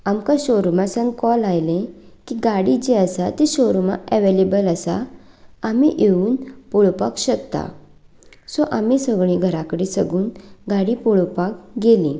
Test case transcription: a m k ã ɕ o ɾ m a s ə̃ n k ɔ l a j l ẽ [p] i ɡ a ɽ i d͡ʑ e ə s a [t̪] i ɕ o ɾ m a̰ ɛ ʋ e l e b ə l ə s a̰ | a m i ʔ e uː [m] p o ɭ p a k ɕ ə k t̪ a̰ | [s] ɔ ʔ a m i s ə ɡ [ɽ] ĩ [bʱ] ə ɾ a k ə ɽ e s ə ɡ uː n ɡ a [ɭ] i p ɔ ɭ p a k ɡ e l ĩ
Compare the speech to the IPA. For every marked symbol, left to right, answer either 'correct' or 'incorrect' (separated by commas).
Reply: incorrect, correct, incorrect, correct, incorrect, incorrect, incorrect